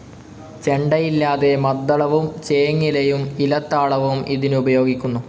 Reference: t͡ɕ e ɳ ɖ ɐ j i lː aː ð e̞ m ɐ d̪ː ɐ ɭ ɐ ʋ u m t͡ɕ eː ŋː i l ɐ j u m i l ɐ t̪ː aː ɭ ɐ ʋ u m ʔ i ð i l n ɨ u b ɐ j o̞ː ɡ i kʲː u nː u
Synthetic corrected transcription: t͡ɕ e ɳ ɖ ɐ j i lː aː ð e̞ m ɐ d̪ː ɐ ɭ ɐ ʋ u m t͡ɕ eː ŋː i l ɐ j u m i l ɐ t̪ː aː ɭ ɐ ʋ u m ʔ i ð i n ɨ u b ɐ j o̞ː ɡ i kʲː u nː u